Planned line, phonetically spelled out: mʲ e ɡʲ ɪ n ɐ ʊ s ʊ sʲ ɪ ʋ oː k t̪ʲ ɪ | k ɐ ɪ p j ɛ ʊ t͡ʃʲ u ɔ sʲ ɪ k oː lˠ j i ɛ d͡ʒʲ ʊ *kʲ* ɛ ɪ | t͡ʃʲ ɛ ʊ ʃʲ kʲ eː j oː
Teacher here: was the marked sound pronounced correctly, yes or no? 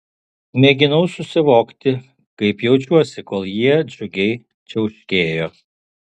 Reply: no